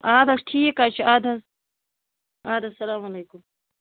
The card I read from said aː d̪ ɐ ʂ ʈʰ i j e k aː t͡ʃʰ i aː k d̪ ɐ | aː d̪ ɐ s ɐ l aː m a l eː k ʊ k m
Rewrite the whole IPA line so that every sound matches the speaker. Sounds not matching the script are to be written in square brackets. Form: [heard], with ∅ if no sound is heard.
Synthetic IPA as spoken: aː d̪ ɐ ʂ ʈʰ i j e k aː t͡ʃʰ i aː [∅] d̪ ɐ | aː d̪ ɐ s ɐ l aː m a l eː k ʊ [∅] m